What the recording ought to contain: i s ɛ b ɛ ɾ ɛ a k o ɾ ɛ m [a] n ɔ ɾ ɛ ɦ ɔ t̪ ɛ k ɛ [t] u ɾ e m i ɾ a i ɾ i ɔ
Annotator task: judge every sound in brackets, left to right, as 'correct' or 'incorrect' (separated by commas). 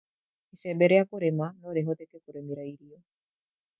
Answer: correct, incorrect